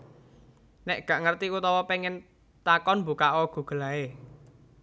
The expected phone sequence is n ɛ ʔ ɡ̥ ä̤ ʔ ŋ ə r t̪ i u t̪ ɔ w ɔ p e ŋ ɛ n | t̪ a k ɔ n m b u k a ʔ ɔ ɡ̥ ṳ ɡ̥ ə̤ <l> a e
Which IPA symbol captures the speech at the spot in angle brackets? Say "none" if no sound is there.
l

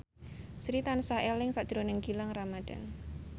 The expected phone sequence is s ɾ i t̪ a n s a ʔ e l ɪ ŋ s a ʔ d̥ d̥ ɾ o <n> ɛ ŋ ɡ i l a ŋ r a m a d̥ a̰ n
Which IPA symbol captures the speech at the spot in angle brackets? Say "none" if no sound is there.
n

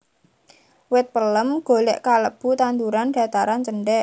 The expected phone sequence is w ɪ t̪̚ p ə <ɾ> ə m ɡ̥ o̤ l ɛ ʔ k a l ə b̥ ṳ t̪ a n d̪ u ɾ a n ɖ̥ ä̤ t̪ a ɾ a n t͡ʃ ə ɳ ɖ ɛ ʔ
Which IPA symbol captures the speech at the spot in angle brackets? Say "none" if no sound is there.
l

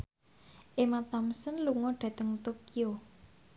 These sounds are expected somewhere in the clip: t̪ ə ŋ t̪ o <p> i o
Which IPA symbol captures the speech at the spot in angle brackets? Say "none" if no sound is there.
k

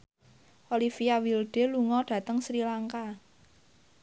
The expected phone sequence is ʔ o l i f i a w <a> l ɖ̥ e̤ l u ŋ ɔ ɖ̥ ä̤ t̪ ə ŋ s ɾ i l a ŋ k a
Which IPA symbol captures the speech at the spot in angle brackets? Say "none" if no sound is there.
i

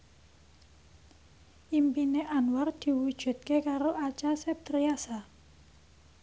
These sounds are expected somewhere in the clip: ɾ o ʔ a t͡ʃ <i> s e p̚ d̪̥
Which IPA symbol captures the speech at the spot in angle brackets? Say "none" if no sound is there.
a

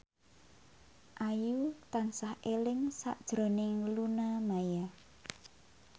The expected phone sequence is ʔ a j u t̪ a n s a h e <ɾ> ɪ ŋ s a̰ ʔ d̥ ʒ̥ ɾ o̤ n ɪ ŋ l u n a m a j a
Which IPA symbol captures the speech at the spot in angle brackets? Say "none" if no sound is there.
l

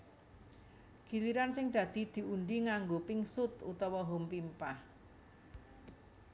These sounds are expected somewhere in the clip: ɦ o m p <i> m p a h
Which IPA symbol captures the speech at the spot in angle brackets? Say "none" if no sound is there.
i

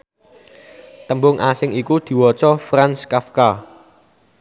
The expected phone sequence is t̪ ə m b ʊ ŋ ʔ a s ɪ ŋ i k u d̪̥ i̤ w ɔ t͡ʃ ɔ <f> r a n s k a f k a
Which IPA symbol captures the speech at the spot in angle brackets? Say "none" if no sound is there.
f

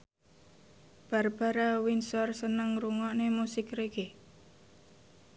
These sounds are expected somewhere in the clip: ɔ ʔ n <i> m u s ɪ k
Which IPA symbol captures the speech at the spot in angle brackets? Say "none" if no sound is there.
e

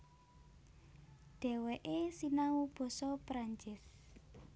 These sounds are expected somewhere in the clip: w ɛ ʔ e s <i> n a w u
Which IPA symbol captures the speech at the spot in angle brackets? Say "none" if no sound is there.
i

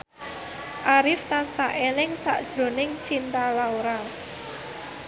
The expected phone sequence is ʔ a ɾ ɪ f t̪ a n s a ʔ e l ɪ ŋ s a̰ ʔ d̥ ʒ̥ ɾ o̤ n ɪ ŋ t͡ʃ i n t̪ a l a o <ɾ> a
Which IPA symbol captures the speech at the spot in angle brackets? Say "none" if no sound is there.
ɾ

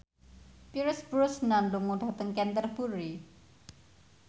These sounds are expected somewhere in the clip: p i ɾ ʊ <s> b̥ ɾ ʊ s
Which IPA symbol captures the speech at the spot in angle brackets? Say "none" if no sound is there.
s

